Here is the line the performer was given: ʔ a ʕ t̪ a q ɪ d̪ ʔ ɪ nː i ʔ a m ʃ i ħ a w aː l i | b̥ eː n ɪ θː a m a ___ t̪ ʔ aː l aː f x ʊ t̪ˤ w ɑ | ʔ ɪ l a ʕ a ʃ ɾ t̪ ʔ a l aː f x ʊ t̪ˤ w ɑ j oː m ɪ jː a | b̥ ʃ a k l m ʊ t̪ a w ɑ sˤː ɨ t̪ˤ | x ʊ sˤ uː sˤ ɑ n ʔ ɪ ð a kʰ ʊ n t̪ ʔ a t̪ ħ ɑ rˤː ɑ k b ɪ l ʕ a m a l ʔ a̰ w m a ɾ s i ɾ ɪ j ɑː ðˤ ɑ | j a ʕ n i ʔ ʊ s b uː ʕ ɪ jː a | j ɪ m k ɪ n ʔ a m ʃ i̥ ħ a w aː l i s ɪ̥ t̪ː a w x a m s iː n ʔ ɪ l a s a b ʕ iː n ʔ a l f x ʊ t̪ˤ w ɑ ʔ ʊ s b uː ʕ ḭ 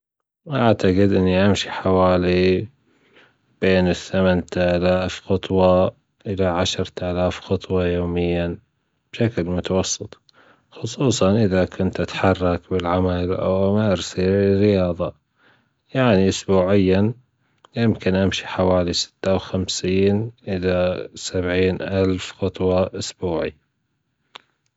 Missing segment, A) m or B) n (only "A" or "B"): B